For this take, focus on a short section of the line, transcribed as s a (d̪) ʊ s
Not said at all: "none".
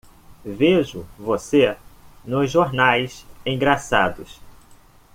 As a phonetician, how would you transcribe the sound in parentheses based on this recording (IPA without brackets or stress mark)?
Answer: d̪